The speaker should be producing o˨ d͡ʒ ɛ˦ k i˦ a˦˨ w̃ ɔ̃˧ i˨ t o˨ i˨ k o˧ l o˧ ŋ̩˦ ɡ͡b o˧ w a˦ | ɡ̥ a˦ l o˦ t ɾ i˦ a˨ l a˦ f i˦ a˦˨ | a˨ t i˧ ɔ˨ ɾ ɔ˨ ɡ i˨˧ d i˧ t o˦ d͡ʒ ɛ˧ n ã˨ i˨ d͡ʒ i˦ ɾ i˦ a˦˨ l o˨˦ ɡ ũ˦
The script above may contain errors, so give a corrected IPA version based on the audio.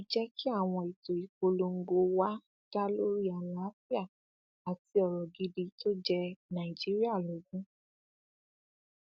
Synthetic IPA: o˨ d͡ʒ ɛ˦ k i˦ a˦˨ w̃ ɔ̃˧ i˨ t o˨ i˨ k o˧ l o˧ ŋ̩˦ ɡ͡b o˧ w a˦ | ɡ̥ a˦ l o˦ ɾ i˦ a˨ l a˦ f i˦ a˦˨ | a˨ t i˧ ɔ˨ ɾ ɔ˨ ɡ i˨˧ d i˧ t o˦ d͡ʒ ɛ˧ n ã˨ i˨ d͡ʒ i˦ ɾ i˦ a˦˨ l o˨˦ ɡ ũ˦